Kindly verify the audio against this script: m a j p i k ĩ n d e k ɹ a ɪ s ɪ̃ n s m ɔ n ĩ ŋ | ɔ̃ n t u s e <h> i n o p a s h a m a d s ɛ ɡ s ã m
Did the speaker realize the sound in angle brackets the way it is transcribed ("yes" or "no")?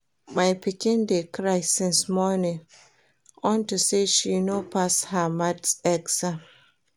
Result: no